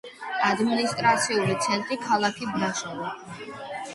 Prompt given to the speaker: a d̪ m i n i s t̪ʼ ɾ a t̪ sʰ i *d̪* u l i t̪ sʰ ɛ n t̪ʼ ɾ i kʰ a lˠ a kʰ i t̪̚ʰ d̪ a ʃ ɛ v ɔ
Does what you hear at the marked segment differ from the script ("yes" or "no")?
yes